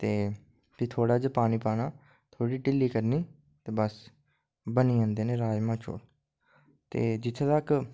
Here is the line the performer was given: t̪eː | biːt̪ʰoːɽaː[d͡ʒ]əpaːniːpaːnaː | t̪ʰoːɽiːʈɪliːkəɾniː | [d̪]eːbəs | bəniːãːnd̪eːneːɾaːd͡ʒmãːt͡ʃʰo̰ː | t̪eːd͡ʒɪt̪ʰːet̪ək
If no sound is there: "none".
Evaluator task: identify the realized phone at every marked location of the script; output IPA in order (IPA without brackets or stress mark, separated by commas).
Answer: d͡ʒ, t̪